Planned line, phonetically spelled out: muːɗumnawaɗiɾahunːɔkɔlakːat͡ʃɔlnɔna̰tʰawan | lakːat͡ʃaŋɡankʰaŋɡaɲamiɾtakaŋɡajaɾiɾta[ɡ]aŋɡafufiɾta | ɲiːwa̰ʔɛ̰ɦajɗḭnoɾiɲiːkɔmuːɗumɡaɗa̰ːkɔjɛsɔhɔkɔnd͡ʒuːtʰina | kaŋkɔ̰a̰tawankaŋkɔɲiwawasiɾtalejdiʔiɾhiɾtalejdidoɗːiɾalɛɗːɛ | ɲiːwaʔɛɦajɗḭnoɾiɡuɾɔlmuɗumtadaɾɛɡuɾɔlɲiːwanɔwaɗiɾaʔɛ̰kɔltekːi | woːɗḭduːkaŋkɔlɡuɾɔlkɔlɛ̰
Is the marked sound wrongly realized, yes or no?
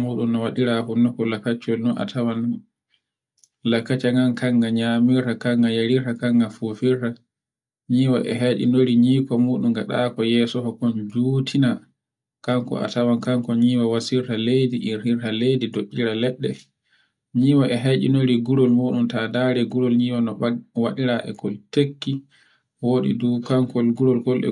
yes